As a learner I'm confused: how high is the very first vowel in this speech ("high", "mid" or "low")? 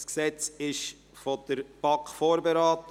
mid